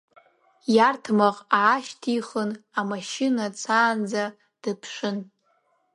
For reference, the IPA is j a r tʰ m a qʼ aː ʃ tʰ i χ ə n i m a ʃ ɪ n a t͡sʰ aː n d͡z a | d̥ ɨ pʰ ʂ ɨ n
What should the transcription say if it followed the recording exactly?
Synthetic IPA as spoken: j a r tʰ m a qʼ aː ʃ tʰ i χ ə n a m a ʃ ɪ n a t͡sʰ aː n d͡z a | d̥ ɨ pʰ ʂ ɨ n